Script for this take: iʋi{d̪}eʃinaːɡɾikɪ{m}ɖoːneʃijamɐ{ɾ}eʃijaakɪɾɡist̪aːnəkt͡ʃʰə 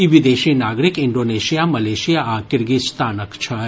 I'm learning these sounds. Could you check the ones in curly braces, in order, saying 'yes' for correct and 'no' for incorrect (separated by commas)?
yes, no, no